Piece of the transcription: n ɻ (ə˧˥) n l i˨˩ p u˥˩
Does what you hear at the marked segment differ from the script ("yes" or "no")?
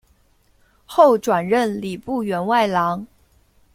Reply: yes